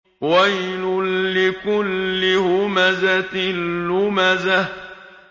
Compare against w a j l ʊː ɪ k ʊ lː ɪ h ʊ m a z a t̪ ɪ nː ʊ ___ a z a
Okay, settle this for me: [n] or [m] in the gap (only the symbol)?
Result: m